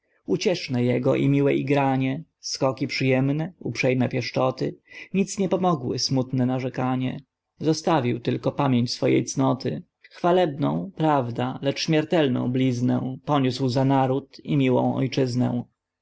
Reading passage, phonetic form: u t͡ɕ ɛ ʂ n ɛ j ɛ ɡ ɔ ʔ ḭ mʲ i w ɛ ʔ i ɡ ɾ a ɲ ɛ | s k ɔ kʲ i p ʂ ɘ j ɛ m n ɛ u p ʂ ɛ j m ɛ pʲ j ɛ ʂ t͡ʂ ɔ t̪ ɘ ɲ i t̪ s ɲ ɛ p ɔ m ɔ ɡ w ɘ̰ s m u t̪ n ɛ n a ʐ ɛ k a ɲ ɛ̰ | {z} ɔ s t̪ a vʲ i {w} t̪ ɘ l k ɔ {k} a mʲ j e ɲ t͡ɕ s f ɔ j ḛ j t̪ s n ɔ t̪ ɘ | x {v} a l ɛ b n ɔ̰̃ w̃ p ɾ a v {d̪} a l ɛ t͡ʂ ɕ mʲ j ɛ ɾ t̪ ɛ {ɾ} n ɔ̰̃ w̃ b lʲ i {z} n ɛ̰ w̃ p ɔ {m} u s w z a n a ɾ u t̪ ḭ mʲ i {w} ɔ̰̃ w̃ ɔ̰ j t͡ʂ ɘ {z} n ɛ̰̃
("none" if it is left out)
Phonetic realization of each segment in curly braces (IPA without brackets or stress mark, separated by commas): z, w, p, f, d̪, l, z, ɲ, w, z